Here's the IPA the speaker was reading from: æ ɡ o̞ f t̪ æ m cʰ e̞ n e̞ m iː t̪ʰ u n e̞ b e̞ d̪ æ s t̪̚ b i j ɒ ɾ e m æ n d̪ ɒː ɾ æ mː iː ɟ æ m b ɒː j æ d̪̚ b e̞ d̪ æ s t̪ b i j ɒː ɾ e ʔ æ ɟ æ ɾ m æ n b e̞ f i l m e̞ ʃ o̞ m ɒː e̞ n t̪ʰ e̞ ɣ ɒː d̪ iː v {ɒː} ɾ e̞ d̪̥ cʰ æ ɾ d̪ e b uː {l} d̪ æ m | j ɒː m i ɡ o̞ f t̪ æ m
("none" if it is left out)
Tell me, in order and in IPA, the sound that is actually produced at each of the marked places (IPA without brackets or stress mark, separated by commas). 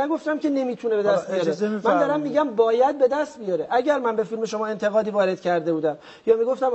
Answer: ɒː, none